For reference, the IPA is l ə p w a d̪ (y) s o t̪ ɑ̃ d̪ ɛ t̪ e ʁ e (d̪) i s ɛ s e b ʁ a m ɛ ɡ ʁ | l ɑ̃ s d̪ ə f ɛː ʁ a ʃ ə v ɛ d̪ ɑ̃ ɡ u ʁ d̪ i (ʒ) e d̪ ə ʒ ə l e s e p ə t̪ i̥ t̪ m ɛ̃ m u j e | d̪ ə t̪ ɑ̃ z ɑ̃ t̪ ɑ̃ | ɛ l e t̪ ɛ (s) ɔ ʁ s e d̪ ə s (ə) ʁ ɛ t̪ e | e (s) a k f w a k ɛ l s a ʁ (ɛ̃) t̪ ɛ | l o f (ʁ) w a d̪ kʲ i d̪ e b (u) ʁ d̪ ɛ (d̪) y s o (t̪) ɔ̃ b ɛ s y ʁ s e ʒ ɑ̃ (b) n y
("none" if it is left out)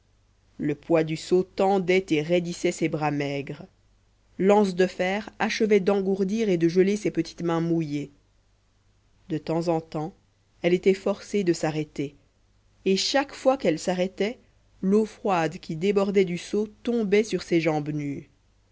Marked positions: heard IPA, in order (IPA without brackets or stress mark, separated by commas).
y, d̪, ʁ, f, a, ʃ, ɛ, χ, ɔ, d̪, t̪, b